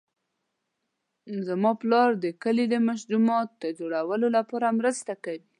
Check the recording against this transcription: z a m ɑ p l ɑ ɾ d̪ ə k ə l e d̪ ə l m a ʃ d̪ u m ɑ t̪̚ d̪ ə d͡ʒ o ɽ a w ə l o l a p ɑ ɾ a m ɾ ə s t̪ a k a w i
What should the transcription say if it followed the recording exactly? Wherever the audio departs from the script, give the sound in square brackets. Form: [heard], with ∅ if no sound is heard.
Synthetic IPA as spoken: z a m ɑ p l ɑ ɾ d̪ ə k ə l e d̪ ə [∅] m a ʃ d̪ u m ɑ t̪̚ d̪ ə d͡ʒ o ɽ a w ə l o l a p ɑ ɾ a m ɾ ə s t̪ a k a w i